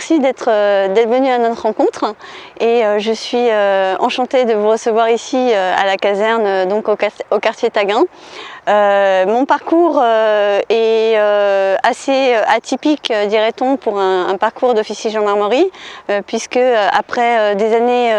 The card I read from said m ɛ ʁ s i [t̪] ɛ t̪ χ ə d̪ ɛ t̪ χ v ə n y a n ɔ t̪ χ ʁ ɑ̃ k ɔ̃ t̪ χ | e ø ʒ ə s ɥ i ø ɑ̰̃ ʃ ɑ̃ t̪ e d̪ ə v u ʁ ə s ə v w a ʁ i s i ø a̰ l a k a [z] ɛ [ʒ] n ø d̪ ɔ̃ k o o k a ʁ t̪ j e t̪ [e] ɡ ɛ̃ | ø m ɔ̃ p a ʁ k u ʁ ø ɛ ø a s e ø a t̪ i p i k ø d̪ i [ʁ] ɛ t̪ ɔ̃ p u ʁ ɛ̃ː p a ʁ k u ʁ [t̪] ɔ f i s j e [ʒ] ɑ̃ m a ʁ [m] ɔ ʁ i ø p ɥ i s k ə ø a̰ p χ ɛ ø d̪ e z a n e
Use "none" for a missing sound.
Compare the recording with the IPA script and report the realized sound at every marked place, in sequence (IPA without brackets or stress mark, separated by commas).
d̪, z, ʁ, a, ʁ, d̪, ʒ, m